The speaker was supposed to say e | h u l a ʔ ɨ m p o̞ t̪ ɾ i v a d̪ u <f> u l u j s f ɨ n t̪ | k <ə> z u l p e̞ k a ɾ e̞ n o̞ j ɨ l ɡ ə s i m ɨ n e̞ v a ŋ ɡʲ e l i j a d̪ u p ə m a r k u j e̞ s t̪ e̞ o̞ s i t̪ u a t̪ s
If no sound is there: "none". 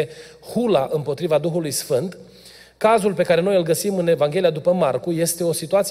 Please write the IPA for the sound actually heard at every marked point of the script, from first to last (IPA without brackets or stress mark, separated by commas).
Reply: x, a